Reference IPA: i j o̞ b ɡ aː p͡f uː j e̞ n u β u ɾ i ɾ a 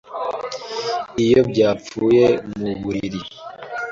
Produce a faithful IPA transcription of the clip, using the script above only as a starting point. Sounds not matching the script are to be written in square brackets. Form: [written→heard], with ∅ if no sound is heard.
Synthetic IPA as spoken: i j o̞ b [ɡ→ɟ] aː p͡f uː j e̞ [n→m] u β u ɾ i ɾ [a→i]